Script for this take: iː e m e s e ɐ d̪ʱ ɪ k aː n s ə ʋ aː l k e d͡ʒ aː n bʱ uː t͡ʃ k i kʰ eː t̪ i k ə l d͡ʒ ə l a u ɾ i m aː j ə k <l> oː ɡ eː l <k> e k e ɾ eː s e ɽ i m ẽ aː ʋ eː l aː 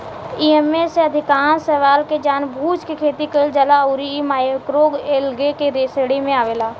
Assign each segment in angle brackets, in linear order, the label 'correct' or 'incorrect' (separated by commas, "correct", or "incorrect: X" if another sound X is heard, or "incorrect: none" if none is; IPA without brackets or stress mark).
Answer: incorrect: ɾ, incorrect: ɡ